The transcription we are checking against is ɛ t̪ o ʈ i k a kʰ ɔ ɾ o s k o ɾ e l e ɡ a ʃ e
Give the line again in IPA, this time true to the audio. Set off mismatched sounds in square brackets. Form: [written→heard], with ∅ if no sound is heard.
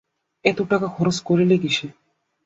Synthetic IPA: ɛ t̪ o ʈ [i→a] k a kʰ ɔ ɾ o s k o ɾ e l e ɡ [a→i] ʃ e